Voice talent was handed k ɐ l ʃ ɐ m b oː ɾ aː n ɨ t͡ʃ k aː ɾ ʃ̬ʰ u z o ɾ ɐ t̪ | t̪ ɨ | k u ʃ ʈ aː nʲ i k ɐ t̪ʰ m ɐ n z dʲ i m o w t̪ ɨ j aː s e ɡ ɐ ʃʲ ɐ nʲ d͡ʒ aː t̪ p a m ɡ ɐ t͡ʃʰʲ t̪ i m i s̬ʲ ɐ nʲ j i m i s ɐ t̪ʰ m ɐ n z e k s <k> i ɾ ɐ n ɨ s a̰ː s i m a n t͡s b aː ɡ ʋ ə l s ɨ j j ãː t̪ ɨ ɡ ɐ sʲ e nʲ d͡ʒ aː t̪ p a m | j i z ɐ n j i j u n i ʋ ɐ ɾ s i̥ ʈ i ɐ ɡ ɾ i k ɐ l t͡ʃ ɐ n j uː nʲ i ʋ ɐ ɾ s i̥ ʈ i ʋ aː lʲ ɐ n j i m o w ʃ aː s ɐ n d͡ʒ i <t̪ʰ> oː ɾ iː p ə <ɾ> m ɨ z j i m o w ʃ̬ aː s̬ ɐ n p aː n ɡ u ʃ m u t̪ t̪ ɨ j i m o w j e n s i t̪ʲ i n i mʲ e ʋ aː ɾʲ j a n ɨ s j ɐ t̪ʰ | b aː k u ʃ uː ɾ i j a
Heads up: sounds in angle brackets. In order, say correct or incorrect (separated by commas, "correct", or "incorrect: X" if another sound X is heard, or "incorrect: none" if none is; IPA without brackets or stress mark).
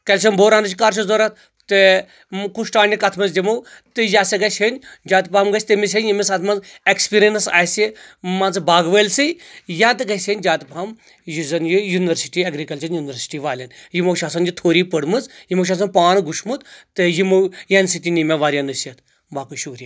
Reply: incorrect: p, correct, incorrect: ɽ